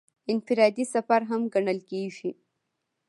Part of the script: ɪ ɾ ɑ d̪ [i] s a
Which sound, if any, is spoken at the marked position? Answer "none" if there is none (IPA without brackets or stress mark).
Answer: i